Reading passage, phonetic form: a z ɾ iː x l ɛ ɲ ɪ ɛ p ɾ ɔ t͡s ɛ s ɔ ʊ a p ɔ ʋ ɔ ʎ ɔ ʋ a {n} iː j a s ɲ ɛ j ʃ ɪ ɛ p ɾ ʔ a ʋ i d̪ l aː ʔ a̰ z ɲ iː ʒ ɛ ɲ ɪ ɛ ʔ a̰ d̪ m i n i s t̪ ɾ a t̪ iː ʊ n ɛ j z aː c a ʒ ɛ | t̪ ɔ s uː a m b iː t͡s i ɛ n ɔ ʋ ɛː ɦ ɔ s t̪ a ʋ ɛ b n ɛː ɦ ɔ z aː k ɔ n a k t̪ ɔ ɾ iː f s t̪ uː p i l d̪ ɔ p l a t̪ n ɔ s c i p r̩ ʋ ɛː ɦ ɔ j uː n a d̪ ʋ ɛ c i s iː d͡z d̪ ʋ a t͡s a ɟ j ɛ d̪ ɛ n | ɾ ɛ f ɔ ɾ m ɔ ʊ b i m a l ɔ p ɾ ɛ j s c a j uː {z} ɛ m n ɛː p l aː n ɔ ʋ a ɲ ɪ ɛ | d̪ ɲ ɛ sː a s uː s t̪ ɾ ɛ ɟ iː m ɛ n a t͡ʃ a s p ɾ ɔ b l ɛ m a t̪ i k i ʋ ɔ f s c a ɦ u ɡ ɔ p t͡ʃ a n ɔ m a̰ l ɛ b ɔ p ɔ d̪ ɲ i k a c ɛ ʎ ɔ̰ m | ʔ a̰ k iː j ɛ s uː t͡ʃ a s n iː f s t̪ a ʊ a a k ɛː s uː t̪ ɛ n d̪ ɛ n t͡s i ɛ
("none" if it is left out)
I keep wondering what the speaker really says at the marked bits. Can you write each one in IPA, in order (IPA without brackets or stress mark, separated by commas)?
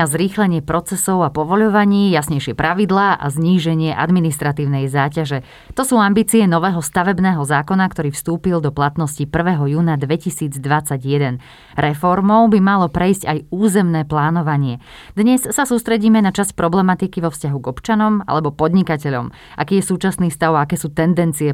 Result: ɲ, z